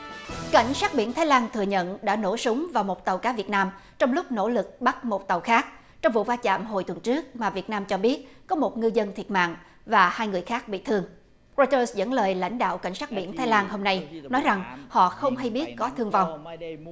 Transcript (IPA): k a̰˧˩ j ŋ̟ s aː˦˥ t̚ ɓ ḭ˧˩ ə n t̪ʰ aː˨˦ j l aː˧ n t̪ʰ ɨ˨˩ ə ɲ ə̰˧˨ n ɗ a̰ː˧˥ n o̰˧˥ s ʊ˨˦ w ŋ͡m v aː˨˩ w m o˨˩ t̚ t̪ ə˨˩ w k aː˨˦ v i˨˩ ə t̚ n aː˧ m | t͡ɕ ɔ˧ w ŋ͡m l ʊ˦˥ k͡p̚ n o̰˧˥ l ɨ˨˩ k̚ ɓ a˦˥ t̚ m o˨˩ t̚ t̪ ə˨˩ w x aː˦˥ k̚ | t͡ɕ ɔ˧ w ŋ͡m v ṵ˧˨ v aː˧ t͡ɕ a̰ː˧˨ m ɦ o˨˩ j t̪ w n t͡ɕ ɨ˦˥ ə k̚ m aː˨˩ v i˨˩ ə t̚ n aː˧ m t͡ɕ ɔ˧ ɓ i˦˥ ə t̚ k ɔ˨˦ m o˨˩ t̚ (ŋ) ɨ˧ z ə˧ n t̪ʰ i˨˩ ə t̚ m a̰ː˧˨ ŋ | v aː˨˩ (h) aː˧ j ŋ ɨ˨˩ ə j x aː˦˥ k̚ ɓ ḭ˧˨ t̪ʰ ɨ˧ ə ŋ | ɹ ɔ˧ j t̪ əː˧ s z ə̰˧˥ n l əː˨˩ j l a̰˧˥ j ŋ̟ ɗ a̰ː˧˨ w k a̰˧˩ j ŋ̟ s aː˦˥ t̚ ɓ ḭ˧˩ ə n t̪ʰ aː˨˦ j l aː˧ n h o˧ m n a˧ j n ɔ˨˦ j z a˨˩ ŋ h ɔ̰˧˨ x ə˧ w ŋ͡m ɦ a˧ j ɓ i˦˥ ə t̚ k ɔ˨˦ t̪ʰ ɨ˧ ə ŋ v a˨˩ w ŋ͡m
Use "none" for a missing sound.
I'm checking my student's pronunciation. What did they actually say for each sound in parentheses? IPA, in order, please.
ŋ, h

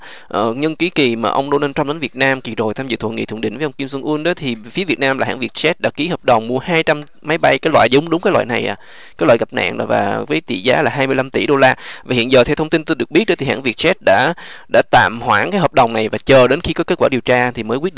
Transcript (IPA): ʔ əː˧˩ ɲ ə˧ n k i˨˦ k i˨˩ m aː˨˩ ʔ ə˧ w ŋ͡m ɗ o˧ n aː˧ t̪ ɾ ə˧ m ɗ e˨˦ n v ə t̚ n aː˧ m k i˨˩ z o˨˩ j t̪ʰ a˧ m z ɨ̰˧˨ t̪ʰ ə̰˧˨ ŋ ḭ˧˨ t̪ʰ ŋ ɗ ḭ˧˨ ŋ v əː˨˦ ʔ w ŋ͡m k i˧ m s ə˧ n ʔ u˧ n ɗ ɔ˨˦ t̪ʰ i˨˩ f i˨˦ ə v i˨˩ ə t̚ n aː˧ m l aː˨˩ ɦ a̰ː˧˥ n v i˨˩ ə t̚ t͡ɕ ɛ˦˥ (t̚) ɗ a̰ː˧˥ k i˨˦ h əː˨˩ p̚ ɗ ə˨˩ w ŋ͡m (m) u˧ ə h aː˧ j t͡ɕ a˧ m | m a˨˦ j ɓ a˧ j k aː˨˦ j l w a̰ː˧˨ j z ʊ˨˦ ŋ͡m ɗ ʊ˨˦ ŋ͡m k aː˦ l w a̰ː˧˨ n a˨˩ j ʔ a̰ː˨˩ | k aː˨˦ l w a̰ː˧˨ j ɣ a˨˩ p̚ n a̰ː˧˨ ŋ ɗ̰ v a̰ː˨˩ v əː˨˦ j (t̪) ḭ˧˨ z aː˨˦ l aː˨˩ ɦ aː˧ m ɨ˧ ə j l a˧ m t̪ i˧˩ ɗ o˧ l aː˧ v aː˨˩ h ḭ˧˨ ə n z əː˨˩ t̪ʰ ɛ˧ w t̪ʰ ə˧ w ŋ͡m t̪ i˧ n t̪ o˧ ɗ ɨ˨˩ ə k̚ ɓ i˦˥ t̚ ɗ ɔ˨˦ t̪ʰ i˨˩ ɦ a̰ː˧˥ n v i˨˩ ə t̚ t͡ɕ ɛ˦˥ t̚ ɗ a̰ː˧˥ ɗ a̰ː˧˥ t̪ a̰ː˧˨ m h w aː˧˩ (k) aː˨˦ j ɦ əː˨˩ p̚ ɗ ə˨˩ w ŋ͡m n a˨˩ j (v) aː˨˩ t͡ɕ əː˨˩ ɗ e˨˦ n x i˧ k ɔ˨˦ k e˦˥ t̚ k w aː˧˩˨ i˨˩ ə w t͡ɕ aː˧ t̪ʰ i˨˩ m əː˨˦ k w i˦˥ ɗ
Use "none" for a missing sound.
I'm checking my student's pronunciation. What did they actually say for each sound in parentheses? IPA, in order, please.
t̚, m, t̪, k, v

